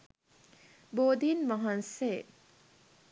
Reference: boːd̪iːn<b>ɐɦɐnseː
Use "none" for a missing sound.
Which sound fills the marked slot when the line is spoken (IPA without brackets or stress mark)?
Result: m